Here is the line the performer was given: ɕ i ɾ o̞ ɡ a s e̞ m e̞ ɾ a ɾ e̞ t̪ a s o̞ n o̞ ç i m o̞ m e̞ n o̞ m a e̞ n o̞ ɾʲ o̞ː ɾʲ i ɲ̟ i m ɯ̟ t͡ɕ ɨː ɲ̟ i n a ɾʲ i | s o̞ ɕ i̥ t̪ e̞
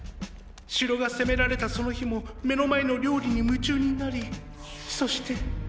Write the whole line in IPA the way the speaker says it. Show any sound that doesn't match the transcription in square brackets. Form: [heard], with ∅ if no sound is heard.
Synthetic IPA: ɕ i ɾ o̞ ɡ a s e̞ m e̞ ɾ a ɾ e̞ t̪ a s o̞ n o̞ ç i m o̞ m e̞ n o̞ m a e̞ n o̞ ɾʲ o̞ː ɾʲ i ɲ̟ i m ɯ̟ t͡ɕ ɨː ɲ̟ i n a ɾʲ i | s o̞ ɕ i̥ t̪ e̞